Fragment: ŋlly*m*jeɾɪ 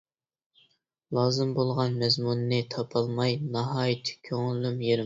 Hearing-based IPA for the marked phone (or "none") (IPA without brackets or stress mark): m